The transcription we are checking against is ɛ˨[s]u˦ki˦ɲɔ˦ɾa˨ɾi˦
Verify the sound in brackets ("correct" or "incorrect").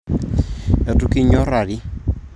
incorrect